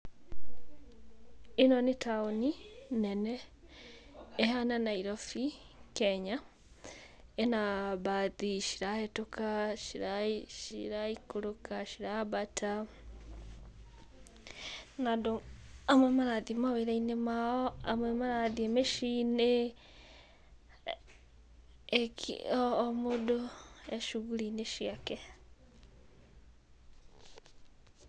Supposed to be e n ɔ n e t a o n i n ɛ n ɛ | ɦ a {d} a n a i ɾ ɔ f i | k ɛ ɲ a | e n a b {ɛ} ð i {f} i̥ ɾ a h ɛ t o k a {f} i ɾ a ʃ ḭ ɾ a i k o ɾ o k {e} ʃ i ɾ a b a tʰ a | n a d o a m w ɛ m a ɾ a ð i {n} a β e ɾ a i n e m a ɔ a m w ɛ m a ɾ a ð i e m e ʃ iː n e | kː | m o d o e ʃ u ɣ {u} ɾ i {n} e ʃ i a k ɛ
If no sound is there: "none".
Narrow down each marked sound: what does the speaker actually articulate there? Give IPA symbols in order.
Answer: n, a, ʃ, ʃ, a, m, u, n

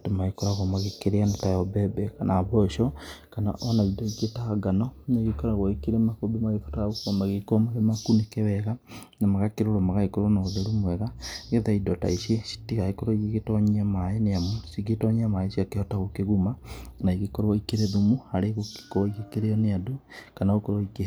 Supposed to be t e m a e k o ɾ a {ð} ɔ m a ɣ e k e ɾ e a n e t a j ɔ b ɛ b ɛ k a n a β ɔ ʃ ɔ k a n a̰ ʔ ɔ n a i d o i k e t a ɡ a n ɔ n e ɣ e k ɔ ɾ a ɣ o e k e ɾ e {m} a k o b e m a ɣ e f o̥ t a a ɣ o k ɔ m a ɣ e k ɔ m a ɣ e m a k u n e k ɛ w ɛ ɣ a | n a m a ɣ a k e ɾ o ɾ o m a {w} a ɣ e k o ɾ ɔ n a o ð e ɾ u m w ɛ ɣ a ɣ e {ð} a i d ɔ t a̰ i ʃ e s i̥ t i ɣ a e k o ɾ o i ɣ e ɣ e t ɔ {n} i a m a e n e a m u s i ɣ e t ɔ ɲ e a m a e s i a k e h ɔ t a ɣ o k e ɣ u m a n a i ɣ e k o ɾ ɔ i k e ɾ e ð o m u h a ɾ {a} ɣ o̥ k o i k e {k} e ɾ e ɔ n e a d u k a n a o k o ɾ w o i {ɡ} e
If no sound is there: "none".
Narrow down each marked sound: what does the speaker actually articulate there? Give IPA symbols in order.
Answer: ɣ, m, ɣ, ð, ɲ, e, k, k

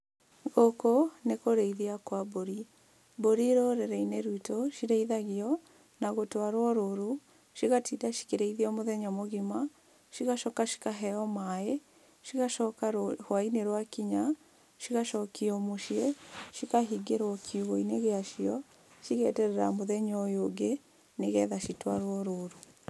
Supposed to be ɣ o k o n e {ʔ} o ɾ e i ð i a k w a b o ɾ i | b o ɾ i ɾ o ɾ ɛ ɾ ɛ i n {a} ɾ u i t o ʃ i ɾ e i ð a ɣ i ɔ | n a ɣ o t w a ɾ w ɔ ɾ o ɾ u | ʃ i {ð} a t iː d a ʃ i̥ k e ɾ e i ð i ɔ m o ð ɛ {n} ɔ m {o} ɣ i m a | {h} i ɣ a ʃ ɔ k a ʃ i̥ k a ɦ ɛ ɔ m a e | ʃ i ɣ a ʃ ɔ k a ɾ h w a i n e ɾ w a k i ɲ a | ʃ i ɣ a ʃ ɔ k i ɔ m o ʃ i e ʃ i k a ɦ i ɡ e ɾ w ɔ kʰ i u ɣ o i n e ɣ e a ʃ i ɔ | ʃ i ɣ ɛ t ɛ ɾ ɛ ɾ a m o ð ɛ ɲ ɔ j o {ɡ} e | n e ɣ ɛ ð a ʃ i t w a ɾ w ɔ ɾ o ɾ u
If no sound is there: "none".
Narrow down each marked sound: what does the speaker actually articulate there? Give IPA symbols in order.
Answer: k, e, ɣ, ɲ, o, ʃ, ɡ

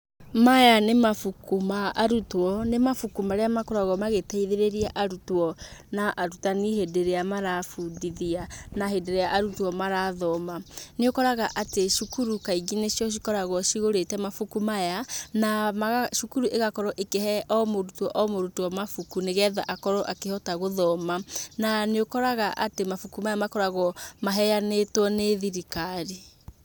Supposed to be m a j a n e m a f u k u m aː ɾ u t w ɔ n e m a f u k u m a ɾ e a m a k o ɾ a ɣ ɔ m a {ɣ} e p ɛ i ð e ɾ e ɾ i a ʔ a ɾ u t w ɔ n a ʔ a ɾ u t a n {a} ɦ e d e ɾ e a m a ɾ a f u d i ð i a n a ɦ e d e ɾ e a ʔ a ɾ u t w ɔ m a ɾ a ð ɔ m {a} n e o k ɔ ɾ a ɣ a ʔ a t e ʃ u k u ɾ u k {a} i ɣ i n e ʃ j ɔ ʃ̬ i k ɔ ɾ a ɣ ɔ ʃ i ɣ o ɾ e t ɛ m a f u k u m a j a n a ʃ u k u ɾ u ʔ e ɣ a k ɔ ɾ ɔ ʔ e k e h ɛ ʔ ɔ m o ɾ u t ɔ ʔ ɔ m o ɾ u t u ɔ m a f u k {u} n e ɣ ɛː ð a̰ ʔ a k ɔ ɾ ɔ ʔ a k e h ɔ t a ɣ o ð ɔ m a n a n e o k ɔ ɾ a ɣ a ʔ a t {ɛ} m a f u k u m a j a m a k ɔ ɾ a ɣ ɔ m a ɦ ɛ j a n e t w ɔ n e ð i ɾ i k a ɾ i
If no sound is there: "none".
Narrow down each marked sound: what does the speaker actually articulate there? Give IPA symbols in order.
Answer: ɣ, i, a, a, u, e

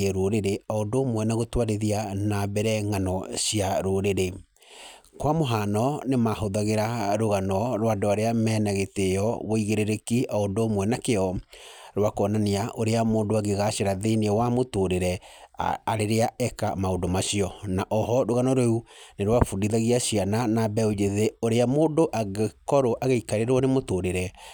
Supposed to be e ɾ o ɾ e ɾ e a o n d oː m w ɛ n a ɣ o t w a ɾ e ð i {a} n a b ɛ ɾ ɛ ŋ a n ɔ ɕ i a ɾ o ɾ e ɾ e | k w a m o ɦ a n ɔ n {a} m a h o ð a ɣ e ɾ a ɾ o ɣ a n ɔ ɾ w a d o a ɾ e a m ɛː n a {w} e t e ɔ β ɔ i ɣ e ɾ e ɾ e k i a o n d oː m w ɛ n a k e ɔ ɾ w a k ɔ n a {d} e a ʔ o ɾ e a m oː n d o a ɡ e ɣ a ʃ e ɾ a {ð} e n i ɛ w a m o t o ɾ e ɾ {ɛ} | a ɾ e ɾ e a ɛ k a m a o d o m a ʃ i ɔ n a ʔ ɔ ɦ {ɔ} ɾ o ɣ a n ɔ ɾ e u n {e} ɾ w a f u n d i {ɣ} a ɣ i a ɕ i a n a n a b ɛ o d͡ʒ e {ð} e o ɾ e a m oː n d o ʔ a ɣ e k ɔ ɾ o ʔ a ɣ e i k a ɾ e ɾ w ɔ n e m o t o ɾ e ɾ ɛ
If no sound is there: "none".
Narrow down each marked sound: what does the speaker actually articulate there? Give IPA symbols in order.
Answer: a, e, ɣ, n, ð, ɛ, ɔ, e, ð, ð

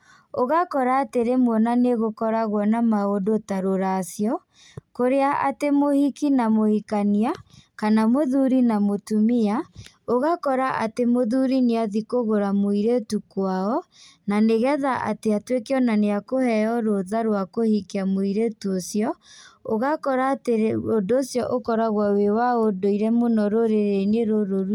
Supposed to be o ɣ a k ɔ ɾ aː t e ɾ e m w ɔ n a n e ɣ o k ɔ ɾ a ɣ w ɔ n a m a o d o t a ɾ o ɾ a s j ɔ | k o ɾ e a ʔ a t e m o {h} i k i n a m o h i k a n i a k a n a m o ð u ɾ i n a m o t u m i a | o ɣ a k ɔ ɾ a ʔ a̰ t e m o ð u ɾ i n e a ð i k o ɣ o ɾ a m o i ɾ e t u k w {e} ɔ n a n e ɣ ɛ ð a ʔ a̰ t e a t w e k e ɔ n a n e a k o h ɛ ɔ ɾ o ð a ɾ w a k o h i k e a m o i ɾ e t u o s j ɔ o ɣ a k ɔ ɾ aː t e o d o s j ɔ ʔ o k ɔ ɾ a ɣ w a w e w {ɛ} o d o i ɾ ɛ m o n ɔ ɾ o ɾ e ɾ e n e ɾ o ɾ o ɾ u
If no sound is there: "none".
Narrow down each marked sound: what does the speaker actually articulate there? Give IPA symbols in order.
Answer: h, a, a

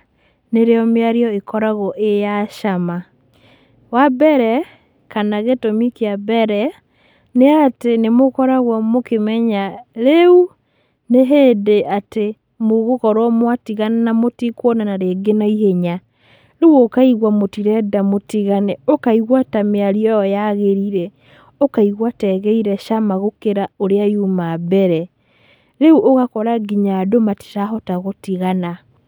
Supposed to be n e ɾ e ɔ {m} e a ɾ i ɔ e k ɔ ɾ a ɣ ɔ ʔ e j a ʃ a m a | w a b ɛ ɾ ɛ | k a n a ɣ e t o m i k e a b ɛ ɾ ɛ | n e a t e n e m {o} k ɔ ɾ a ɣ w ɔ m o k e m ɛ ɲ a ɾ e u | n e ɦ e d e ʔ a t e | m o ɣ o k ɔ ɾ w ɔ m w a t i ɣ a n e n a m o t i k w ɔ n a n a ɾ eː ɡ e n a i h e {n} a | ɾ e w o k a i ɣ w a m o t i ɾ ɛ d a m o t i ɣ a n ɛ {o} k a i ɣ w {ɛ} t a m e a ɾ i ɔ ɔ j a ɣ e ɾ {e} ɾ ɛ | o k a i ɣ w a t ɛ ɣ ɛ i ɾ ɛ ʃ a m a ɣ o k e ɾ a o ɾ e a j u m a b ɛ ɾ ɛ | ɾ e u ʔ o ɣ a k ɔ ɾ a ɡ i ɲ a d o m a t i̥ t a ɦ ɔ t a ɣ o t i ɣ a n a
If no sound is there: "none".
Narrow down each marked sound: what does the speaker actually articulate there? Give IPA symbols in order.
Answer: m, o, ɲ, o, a, i

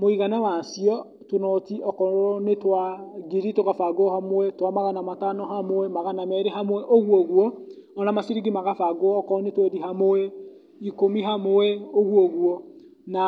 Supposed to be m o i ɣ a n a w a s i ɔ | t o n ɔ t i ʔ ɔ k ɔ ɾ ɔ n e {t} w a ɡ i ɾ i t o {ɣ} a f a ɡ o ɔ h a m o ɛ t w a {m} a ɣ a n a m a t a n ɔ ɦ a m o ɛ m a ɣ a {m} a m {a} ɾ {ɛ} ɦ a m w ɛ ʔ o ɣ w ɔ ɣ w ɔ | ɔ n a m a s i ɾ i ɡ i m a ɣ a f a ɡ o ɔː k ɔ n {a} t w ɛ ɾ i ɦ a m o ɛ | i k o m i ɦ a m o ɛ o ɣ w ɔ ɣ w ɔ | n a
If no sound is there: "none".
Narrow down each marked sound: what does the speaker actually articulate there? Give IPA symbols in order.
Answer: t, ɣ, m, n, ɛ, e, e

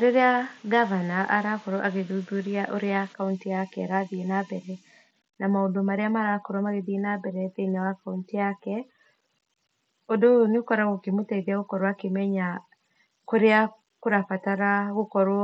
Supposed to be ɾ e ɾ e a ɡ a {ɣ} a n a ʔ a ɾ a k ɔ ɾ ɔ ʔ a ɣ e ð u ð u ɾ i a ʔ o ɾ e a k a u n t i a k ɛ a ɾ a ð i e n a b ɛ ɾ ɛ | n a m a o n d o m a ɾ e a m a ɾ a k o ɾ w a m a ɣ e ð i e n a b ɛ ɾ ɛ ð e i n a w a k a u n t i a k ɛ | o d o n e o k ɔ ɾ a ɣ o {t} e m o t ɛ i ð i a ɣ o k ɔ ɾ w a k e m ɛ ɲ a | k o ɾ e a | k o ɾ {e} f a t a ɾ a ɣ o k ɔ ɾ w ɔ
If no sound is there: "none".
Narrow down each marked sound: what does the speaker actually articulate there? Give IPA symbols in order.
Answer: v, k, a

